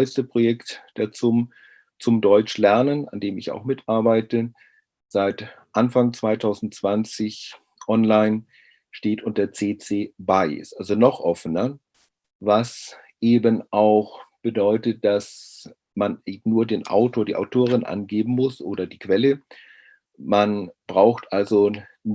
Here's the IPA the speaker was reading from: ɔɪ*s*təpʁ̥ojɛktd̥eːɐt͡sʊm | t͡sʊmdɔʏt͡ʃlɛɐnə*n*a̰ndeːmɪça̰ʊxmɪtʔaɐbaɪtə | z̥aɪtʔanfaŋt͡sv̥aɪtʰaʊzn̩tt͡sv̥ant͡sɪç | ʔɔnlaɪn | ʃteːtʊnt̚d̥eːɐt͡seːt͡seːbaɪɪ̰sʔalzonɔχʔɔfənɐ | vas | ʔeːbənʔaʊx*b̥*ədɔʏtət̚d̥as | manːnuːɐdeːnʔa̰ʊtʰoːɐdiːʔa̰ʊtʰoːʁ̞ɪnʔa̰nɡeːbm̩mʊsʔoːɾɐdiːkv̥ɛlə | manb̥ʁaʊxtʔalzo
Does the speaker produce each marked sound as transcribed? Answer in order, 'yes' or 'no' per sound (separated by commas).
yes, yes, yes